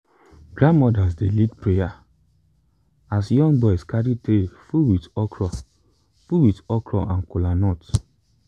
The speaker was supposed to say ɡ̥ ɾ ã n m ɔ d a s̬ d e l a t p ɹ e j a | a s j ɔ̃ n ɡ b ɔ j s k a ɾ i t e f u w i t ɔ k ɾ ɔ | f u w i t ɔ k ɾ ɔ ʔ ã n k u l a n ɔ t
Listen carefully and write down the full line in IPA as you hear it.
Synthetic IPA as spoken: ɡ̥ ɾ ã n m ɔ d a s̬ d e l i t p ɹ e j a | a s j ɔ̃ ŋ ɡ b ɔ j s k a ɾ i t e f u w i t ɔ k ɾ ɔ | f u w i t ɔ k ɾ ɔ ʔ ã n k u l a n ɔ t